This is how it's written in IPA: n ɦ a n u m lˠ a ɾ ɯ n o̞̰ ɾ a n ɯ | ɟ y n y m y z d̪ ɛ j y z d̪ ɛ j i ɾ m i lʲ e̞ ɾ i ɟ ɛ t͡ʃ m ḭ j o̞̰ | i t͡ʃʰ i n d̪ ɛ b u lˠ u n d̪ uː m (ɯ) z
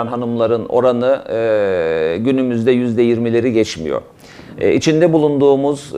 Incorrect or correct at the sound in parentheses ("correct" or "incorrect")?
incorrect